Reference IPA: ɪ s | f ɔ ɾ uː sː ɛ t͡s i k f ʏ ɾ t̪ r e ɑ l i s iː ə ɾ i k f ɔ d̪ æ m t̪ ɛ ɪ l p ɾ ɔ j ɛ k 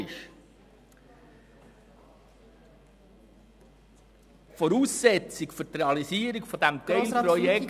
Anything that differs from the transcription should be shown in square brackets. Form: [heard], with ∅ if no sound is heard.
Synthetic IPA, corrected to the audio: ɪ [ʃ] | f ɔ ɾ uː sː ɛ t͡s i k f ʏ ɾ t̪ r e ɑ l i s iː ə ɾ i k f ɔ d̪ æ m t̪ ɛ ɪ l p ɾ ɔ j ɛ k